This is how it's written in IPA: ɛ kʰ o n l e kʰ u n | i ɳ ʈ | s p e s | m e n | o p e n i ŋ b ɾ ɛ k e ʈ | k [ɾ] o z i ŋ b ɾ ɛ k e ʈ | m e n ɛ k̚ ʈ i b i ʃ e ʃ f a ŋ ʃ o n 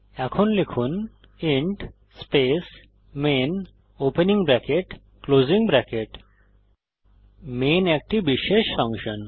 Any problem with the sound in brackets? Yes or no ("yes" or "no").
yes